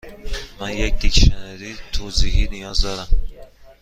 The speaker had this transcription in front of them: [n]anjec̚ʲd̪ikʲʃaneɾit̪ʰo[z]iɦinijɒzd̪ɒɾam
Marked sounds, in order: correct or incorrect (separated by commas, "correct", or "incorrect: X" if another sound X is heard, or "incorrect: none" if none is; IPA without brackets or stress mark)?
incorrect: m, correct